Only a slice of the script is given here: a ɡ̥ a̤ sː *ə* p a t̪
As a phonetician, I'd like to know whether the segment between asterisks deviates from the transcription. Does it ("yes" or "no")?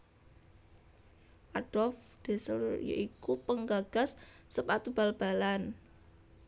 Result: no